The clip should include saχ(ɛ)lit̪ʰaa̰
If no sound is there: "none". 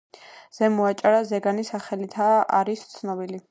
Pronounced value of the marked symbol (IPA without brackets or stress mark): ɛ